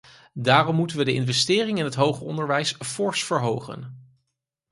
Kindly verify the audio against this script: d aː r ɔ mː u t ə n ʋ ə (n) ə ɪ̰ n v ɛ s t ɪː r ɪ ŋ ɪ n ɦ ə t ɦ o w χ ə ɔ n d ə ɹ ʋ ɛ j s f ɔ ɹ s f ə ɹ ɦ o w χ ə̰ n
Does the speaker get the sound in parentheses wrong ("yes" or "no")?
yes